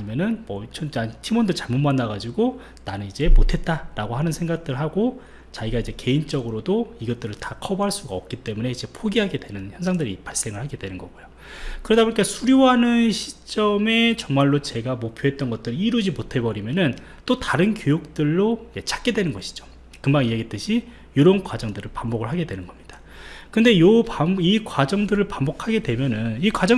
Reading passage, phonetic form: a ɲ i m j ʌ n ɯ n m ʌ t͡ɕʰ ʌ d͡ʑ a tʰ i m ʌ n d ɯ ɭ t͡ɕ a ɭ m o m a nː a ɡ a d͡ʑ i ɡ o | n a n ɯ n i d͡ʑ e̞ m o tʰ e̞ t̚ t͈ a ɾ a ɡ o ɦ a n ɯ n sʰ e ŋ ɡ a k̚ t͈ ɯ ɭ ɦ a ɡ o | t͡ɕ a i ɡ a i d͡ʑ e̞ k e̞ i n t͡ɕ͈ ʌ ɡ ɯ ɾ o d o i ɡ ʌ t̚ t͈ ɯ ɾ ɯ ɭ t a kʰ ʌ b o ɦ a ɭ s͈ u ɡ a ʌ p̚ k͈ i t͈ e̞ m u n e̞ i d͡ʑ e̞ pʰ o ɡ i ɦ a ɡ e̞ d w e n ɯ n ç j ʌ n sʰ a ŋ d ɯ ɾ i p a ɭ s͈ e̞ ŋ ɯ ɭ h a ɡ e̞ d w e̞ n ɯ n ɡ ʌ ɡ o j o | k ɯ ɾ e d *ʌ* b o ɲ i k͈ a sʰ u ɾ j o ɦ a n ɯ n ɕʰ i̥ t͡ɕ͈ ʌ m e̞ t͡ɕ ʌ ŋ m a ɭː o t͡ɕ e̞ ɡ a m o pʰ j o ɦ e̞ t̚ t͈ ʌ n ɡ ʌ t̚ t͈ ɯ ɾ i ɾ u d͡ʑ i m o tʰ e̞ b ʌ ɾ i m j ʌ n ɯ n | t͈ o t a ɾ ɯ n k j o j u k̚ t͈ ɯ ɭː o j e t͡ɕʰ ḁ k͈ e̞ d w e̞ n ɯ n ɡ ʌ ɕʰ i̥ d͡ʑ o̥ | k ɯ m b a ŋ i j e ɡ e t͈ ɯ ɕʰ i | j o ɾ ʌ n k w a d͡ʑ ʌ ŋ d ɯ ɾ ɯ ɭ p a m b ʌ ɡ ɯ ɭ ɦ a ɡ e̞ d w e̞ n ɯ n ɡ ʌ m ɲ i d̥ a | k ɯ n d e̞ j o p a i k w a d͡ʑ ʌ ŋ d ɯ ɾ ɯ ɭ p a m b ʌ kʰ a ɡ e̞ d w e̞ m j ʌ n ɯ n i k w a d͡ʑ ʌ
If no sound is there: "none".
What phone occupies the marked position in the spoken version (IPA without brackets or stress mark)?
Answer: a